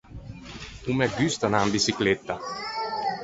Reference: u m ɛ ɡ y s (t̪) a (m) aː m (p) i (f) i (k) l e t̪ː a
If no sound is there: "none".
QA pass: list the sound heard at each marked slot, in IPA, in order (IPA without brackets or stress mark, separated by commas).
t̪, n, b, s, k